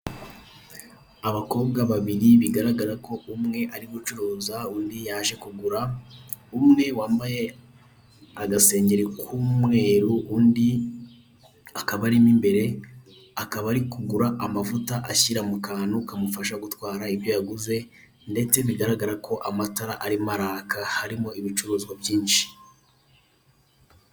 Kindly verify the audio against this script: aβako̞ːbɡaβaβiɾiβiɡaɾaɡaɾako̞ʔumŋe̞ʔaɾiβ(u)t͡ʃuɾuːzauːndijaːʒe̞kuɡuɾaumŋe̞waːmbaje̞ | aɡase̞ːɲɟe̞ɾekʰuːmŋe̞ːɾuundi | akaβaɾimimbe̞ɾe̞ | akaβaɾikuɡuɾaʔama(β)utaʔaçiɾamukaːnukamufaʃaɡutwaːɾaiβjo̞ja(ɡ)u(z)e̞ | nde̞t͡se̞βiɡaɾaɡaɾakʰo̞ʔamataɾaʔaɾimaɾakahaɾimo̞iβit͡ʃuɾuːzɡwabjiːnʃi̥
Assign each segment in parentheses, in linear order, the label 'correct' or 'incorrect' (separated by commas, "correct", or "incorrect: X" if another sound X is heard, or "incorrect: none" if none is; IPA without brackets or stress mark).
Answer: correct, incorrect: v, correct, correct